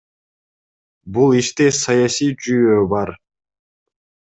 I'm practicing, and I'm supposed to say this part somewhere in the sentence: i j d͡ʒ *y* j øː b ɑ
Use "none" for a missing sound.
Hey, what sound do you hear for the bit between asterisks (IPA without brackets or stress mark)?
y